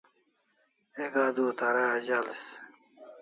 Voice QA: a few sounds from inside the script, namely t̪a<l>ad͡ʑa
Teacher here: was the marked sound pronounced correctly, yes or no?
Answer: no